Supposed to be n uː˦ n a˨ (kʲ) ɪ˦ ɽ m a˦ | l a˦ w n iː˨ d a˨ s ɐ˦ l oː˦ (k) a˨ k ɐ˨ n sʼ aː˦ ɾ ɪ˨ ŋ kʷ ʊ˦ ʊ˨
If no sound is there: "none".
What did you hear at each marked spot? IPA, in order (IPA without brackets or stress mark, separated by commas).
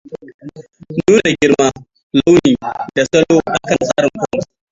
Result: ɡʲ, ʔ